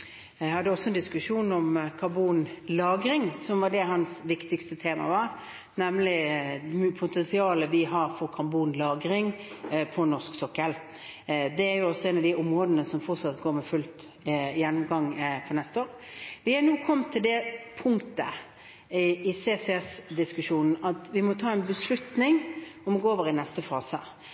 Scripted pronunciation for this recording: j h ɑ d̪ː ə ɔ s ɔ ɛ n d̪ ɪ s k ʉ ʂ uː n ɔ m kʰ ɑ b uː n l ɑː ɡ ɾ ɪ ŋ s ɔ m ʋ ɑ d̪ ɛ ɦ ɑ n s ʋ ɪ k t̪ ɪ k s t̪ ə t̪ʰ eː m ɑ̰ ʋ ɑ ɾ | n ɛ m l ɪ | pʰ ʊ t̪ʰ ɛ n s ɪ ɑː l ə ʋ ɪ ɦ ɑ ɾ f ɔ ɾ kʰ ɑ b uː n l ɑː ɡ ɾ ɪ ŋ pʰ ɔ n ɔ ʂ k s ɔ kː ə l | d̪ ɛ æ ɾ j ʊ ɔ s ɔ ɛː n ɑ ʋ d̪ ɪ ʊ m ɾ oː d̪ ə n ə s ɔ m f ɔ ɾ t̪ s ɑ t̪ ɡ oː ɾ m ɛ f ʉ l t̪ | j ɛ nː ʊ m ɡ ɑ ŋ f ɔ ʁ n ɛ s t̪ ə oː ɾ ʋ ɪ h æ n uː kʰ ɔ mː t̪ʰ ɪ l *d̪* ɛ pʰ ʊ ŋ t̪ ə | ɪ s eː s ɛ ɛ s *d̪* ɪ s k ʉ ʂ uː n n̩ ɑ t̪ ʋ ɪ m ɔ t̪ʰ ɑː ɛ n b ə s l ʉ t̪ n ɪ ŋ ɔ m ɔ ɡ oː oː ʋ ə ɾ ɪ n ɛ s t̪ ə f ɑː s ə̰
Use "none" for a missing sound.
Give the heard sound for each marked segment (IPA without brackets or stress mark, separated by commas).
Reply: d̪, d̪